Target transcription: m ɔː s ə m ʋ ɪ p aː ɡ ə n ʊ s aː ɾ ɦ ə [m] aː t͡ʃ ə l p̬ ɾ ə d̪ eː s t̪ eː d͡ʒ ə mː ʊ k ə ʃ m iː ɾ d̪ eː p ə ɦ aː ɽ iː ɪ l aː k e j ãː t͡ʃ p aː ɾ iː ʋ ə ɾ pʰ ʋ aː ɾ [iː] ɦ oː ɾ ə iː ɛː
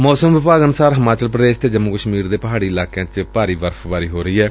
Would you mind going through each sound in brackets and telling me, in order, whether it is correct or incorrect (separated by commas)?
correct, correct